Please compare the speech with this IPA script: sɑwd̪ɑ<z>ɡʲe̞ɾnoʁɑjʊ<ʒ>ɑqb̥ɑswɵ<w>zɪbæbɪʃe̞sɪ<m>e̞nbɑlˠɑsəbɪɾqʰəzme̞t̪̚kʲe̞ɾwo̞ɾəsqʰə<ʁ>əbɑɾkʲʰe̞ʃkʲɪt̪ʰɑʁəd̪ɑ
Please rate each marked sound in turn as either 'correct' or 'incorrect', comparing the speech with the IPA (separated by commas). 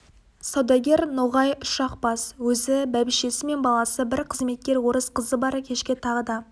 incorrect, incorrect, incorrect, correct, incorrect